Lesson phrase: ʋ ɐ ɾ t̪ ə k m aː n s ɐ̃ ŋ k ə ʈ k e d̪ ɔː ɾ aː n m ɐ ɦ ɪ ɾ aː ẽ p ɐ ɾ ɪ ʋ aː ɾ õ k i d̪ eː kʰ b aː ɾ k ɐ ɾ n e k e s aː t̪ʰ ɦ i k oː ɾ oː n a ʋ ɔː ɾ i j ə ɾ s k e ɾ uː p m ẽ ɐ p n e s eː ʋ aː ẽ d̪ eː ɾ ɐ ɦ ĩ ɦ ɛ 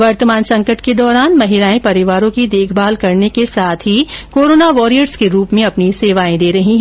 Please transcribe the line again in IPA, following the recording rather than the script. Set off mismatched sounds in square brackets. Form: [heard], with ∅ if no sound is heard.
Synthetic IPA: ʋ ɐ ɾ t̪ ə [∅] m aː n s ɐ̃ ŋ k ə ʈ k e d̪ ɔː ɾ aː n m ɐ ɦ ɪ ɾ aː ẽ p ɐ ɾ ɪ ʋ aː ɾ õ k i d̪ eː kʰ b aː [l] k ɐ ɾ n e k e s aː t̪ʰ ɦ i k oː ɾ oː n a ʋ ɔː ɾ i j ə ɾ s k e ɾ uː p m ẽ ɐ p n [i] s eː ʋ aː ẽ d̪ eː ɾ ɐ ɦ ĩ ɦ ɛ

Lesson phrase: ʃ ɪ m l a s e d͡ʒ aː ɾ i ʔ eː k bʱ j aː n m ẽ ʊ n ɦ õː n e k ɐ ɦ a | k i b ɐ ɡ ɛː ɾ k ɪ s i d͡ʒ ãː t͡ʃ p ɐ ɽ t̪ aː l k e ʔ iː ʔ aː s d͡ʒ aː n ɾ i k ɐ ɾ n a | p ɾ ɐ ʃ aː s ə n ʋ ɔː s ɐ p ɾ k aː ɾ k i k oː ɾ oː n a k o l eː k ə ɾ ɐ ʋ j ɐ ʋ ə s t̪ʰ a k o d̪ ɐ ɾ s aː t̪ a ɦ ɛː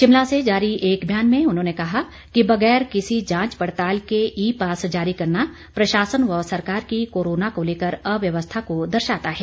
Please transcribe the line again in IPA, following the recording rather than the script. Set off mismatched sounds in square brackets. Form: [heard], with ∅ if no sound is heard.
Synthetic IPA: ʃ ɪ m l a s e d͡ʒ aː ɾ i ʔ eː k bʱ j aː n m ẽ ʊ n ɦ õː n e k ɐ ɦ a | k i b ɐ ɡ ɛː ɾ k ɪ s i d͡ʒ ãː t͡ʃ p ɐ ɽ t̪ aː l k e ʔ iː [p] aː s d͡ʒ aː [∅] ɾ i k ɐ ɾ n a | p ɾ ɐ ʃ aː s ə n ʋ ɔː s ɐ [∅] ɾ k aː ɾ k i k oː ɾ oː n a k o l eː k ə ɾ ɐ ʋ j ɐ ʋ ə s t̪ʰ a k o d̪ ɐ ɾ [ʃ] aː t̪ a ɦ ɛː

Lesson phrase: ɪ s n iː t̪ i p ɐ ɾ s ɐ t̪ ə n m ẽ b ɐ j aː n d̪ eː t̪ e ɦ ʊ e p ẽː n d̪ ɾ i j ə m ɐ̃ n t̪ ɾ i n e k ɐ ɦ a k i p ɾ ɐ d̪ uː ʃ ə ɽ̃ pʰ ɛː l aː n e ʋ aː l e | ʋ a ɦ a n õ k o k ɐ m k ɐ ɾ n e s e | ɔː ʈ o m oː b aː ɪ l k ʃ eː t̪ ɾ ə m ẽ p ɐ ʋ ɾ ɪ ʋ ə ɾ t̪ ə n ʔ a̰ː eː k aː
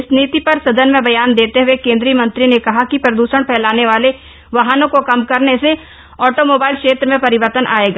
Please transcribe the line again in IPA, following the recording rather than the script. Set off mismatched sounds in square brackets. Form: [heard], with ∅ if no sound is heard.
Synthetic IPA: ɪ s n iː t̪ i p ɐ ɾ s ɐ [d̪] ə n m ẽ b ɐ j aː n d̪ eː t̪ e ɦ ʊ e [k] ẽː n d̪ ɾ i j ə m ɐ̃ n t̪ ɾ i n e k ɐ ɦ a k i p ɾ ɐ d̪ uː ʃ ə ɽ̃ pʰ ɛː l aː n e ʋ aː l e | ʋ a ɦ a n õ k o k ɐ m k ɐ ɾ n e s e | ɔː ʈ o m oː b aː ɪ l k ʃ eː t̪ ɾ ə m ẽ p ɐ [∅] ɾ ɪ ʋ ə ɾ t̪ ə n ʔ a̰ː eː [ɡ] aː

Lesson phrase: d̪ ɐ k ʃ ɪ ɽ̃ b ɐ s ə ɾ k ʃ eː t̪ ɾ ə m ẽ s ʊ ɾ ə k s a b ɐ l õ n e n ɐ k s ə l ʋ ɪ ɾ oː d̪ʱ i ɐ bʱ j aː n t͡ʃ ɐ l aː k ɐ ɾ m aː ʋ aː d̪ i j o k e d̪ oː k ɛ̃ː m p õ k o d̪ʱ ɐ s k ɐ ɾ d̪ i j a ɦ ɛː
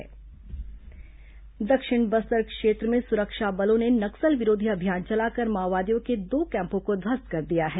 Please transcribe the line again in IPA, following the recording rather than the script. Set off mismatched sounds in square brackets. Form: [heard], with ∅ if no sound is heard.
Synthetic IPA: d̪ ɐ k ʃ ɪ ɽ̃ b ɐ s ə ɾ k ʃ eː t̪ ɾ ə m ẽ s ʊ ɾ ə k [ʃ] a b ɐ l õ n e n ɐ k s ə l ʋ ɪ ɾ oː d̪ʱ i ɐ bʱ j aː n t͡ʃ ɐ l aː k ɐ ɾ m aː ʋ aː d̪ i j [õ] k e d̪ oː k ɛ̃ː m p õ k o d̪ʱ ɐ s k ɐ ɾ d̪ i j a ɦ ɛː

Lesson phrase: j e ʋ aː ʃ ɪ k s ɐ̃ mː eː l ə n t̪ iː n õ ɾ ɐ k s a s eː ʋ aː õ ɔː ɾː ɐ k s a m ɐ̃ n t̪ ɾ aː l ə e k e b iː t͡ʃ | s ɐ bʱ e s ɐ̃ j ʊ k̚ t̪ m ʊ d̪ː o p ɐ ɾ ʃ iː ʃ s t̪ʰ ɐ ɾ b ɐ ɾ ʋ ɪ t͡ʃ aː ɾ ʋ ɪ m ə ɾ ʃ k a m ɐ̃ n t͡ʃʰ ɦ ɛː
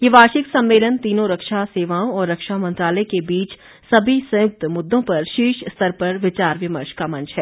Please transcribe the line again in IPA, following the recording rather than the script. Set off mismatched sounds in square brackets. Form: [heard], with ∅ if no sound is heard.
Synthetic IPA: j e ʋ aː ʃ ɪ k s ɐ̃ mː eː l ə n t̪ iː n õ ɾ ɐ k [ʃ] a s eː ʋ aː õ ɔː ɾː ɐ k [ʃ] a m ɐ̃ n t̪ ɾ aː l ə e k e b iː t͡ʃ | s ɐ bʱ [i] s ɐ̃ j ʊ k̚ t̪ m ʊ d̪ː [õ] p ɐ ɾ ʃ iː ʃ s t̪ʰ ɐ ɾ [p] ɐ ɾ ʋ ɪ t͡ʃ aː ɾ ʋ ɪ m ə ɾ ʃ k a m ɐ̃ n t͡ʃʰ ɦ ɛː

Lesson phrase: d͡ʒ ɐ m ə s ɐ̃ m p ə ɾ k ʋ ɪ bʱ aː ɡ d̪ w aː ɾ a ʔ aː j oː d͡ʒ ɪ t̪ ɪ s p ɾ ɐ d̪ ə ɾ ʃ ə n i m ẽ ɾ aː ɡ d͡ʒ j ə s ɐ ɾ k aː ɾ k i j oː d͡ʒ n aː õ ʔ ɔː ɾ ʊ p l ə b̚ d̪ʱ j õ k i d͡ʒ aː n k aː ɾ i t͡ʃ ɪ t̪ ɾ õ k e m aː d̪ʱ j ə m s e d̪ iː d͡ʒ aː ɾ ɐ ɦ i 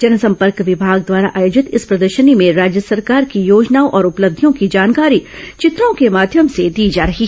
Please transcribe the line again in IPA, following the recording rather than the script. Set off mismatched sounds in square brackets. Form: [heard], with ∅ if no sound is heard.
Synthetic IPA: d͡ʒ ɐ [n] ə s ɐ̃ m p ə ɾ k ʋ ɪ bʱ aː ɡ d̪ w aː ɾ a ʔ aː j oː d͡ʒ ɪ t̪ ɪ s p ɾ ɐ d̪ ə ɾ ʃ ə n i m ẽ ɾ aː [∅] d͡ʒ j ə s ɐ ɾ k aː ɾ k i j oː d͡ʒ n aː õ ʔ ɔː ɾ ʊ p l ə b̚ d̪ʱ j õ k i d͡ʒ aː n k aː ɾ i t͡ʃ ɪ t̪ ɾ õ k e m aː d̪ʱ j ə m s e d̪ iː d͡ʒ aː ɾ ɐ ɦ i

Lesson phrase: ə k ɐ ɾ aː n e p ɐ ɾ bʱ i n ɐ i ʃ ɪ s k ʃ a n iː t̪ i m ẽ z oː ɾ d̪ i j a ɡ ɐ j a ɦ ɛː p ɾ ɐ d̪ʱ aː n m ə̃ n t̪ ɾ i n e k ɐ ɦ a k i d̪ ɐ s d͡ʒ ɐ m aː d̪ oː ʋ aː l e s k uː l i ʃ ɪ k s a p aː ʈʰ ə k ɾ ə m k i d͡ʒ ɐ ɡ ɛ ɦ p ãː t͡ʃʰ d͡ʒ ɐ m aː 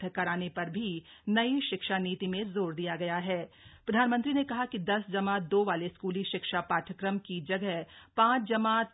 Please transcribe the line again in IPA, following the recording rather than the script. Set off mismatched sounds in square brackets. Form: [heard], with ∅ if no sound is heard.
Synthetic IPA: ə k ɐ ɾ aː n e p ɐ ɾ bʱ i n ɐ i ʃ ɪ [∅] k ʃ a n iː t̪ i m ẽ z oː ɾ d̪ i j a ɡ ɐ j a ɦ ɛː p ɾ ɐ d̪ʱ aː n m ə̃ n t̪ ɾ i n e k ɐ ɦ a k i d̪ ɐ s d͡ʒ ɐ m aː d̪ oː ʋ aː l e s k uː l i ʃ ɪ k [ʃ] a p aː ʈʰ ə k ɾ ə m k i d͡ʒ ɐ ɡ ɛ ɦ p ãː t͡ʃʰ d͡ʒ ɐ m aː

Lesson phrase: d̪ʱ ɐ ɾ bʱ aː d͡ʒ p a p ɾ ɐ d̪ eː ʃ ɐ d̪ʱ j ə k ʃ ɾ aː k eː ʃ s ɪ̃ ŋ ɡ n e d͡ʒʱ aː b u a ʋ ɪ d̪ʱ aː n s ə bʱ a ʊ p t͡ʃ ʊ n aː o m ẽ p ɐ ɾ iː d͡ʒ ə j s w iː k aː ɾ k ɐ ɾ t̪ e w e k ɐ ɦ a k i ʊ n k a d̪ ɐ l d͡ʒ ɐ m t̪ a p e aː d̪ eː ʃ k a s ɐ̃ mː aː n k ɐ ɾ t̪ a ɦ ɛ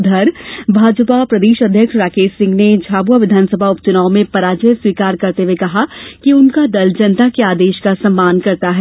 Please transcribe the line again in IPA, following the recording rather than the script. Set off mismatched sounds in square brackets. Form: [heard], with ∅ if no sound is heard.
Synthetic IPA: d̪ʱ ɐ ɾ bʱ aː d͡ʒ p a p ɾ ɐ d̪ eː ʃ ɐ d̪ʱ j ə k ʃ ɾ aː k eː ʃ s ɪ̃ ŋ ɡ n e d͡ʒʱ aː b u a ʋ ɪ d̪ʱ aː n s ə bʱ a ʊ p t͡ʃ ʊ n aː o m ẽ p ɐ ɾ [aː] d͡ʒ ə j s w iː k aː ɾ k ɐ ɾ t̪ e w e k ɐ ɦ a k i ʊ n k a d̪ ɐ l d͡ʒ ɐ [n] t̪ a [k] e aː d̪ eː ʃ k a s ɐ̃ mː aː n k ɐ ɾ t̪ a ɦ ɛ

